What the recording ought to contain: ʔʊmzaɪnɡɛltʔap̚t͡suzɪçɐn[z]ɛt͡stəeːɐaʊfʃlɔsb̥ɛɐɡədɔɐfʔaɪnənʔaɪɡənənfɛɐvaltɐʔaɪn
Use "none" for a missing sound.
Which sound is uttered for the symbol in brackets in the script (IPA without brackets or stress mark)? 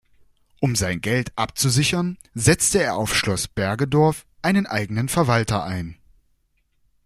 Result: z